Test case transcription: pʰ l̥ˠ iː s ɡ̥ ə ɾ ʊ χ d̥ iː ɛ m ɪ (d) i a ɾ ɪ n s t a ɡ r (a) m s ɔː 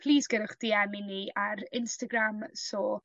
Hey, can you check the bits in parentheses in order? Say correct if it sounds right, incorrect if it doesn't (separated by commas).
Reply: incorrect, correct